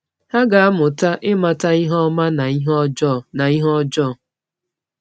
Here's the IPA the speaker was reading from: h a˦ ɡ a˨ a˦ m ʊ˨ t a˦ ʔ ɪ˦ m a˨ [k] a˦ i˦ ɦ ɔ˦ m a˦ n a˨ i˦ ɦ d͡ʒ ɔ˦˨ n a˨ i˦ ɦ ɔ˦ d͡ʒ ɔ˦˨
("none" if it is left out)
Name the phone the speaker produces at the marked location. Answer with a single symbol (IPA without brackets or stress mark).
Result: t